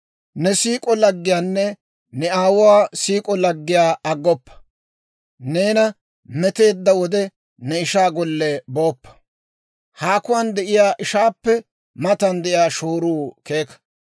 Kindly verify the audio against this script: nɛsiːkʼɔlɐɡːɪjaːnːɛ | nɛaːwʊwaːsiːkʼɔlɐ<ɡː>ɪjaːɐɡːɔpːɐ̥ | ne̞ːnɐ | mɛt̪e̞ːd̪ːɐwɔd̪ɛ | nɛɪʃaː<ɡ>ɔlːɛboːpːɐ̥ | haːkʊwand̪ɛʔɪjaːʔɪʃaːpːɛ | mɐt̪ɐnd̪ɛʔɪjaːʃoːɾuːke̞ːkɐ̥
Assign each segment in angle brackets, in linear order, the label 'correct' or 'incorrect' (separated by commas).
correct, correct